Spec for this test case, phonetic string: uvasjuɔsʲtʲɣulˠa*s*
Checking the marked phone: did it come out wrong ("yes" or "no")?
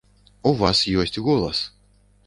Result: no